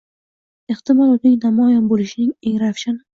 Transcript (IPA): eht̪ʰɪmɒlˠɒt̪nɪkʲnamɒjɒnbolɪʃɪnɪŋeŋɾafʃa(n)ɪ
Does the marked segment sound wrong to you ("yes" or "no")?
no